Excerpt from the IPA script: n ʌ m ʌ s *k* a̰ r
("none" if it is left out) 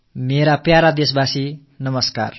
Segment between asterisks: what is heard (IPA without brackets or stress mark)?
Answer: k